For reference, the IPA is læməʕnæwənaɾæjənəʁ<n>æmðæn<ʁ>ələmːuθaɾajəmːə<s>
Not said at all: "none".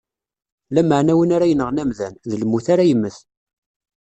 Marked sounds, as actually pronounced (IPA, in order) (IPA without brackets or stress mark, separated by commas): n, ð, θ